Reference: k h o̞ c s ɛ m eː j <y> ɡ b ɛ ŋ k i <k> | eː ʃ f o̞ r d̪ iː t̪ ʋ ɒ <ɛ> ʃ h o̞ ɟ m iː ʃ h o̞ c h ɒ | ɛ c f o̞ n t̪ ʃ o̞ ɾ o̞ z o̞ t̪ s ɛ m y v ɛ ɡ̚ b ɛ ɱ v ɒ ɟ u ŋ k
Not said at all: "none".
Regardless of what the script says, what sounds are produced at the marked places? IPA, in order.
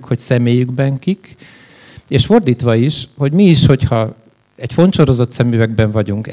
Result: y, k, i

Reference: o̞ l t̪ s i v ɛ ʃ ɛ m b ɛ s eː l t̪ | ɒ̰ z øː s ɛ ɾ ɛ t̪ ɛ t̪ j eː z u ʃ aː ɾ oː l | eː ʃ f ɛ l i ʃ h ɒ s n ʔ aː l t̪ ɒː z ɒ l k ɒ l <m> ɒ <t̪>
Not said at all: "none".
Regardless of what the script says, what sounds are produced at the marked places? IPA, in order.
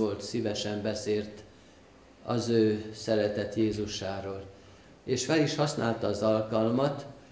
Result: m, t̪

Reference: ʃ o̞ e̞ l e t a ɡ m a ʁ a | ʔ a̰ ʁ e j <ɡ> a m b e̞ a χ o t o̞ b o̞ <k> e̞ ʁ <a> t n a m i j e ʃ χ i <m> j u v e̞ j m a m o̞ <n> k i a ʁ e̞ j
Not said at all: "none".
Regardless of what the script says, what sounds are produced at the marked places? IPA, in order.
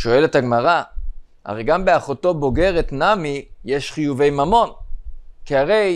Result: ɡ, ɡ, e, none, n

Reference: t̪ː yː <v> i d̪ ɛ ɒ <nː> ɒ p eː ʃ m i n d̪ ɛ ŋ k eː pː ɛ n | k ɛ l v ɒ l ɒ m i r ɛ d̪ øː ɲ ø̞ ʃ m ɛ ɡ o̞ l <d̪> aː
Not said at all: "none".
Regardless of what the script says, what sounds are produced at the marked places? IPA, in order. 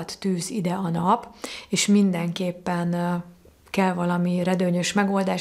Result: z, n, d̪

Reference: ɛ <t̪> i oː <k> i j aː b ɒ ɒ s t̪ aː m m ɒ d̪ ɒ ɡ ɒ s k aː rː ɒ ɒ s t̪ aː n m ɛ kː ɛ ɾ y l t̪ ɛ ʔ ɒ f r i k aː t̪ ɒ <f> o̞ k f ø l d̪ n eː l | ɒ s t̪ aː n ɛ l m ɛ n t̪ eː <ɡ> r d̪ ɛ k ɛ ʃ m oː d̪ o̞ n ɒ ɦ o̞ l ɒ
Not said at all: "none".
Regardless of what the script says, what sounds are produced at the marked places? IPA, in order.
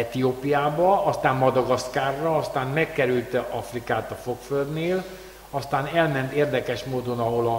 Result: t̪, p, f, none

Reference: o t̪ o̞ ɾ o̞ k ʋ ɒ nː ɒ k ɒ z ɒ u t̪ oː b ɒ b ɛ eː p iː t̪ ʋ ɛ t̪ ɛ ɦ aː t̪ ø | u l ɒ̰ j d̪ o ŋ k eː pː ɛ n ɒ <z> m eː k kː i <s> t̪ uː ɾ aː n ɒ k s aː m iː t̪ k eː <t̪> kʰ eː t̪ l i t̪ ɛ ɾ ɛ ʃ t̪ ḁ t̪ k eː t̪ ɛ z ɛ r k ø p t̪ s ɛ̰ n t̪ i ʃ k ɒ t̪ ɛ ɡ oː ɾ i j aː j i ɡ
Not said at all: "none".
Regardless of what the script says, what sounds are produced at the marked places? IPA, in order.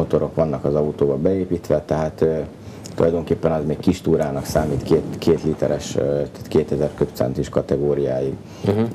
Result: z, ʃ, t̪

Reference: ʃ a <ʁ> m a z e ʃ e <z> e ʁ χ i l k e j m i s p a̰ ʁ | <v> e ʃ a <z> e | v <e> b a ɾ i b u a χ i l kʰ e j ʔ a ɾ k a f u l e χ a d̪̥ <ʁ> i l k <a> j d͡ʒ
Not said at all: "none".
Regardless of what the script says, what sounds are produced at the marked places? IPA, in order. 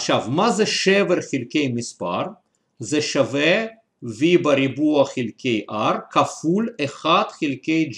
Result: v, v, z, v, i, χ, e

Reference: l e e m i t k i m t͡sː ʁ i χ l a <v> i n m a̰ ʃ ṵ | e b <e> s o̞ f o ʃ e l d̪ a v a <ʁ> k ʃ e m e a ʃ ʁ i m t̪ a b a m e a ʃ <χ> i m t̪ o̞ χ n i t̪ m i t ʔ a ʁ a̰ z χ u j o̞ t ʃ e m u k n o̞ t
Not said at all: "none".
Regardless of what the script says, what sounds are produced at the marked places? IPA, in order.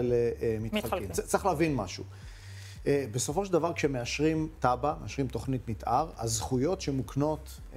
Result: v, e, ʁ, ʁ

